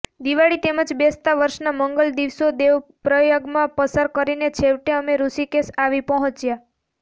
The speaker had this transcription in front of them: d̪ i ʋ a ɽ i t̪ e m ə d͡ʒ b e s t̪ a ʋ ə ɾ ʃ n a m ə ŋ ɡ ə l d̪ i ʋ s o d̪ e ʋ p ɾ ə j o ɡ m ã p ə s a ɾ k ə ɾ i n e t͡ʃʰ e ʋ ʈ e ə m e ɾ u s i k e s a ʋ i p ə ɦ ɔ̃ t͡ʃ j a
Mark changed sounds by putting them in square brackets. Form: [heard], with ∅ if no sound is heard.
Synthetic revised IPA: d̪ i ʋ a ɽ i t̪ e m ə d͡ʒ b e s t̪ a ʋ ə ɾ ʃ n a m ə ŋ ɡ ə l d̪ i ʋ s o d̪ e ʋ p ɾ ə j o ɡ m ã p ə s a ɾ k ə ɾ i n e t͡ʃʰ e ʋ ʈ e ə m e ɾ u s i k e s a ʋ i p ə ɦ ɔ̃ t͡ʃ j a

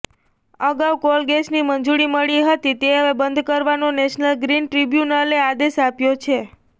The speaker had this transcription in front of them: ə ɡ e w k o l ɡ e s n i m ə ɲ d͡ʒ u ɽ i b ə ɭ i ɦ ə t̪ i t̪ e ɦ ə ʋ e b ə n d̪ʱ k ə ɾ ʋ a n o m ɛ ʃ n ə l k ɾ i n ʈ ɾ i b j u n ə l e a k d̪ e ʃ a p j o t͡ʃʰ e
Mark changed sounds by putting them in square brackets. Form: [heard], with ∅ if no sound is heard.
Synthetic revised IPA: ə ɡ [a] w k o l ɡ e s n i m ə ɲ d͡ʒ u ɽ i [m] ə ɭ i ɦ ə t̪ i t̪ e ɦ ə ʋ e b ə n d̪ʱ k ə ɾ ʋ a n o [n] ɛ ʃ n ə l [ɡ] ɾ i n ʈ ɾ i b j u n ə l e a [∅] d̪ e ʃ a p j o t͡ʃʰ e

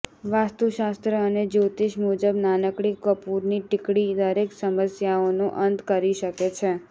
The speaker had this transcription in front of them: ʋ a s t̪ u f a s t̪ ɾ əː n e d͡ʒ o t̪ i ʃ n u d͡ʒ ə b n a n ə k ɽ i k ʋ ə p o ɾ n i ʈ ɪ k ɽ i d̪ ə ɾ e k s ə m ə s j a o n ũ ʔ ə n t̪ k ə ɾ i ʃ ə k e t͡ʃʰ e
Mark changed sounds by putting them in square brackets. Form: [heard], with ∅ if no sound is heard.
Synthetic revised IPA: ʋ a s t̪ u [ʃ] a s t̪ ɾ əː n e d͡ʒ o t̪ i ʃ [m] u d͡ʒ ə b n a n ə k ɽ i k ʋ ə p [u] ɾ n i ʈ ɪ k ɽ i d̪ ə ɾ e k s ə m ə s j a o n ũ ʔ ə n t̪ k ə ɾ i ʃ ə k e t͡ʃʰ e

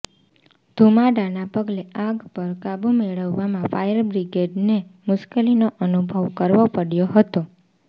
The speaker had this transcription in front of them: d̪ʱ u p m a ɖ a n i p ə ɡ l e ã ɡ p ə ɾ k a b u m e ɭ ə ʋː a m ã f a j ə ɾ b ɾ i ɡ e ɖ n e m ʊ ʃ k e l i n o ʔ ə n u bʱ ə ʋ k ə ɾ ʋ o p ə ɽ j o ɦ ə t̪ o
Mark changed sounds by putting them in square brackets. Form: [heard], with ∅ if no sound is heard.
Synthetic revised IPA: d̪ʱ u [∅] m a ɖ a n [a] p ə ɡ l e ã ɡ p ə ɾ k a b u m e ɭ ə ʋː a m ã f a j ə ɾ b ɾ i ɡ e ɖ n e m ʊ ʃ k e l i n o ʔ ə n u bʱ ə ʋ k ə ɾ ʋ o p ə ɽ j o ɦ ə t̪ o

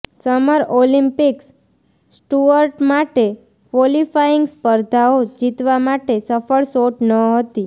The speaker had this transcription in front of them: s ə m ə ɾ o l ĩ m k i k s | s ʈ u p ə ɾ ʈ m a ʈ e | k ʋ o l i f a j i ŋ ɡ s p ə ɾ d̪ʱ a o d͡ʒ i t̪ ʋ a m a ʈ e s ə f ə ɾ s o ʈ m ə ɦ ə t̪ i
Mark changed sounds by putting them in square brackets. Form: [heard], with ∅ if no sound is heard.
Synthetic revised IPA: s ə m ə ɾ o l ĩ m [p] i k s | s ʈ u [∅] ə ɾ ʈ m a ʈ e | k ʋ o l i f a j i ŋ ɡ s p ə ɾ d̪ʱ a o d͡ʒ i t̪ ʋ a m a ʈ e s ə f ə [ɭ] s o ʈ [n] ə ɦ ə t̪ i

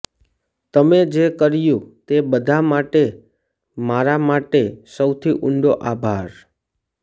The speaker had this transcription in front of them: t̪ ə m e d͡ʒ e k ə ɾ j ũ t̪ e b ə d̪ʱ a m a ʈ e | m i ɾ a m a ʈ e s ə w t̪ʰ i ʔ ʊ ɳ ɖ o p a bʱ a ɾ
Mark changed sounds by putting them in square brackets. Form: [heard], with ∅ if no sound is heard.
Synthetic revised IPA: t̪ ə m e d͡ʒ e k ə ɾ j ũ t̪ e b ə d̪ʱ a m a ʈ e | m [a] ɾ a m a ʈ e s ə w t̪ʰ i ʔ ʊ ɳ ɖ o [ʔ] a bʱ a ɾ

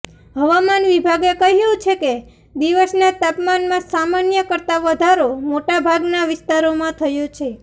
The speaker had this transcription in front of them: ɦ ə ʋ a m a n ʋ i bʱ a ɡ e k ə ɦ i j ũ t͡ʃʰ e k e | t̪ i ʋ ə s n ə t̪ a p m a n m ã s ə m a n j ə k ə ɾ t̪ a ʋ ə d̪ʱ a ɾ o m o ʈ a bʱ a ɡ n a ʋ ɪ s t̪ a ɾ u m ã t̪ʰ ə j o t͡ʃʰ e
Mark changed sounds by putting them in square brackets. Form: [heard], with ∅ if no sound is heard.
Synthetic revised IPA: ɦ ə ʋ a m a n ʋ i bʱ a ɡ e k ə ɦ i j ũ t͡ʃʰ e k e | [d̪] i ʋ ə s n [a] t̪ a p m a n m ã s [a] m a n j ə k ə ɾ t̪ a ʋ ə d̪ʱ a ɾ o m o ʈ a bʱ a ɡ n a ʋ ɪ s t̪ a ɾ [o] m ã t̪ʰ ə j o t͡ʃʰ e

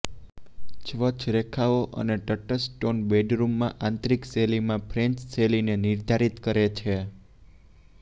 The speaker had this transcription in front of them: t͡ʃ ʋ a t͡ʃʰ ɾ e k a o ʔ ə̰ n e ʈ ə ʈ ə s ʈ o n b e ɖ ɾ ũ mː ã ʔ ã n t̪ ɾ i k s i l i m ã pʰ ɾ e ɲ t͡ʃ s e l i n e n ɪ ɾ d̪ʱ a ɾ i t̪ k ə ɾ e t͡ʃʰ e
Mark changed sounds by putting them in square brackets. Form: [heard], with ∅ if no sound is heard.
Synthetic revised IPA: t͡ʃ ʋ [ə] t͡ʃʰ ɾ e [kʰ] a o ʔ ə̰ n e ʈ ə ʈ ə s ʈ o n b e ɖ ɾ [u] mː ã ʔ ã n t̪ ɾ i k s [e] l i m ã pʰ ɾ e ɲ t͡ʃ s e l i n e n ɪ ɾ d̪ʱ a ɾ i t̪ k ə ɾ e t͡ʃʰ e

